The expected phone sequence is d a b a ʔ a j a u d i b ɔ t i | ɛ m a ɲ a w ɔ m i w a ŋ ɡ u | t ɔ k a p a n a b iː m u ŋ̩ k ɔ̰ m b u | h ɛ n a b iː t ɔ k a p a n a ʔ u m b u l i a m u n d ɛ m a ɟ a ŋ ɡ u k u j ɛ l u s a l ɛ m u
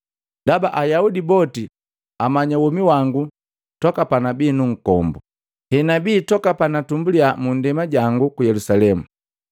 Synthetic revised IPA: d a b a ʔ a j a u d i b ɔ t i | a m a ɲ a w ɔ m i w a ŋ ɡ u | t ɔ k a p a n a b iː n u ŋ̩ k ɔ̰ m b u | h ɛ n a b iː t ɔ k a p a n a t u m b u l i a m u n d ɛ m a ɟ a ŋ ɡ u k u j ɛ l u s a l ɛ m u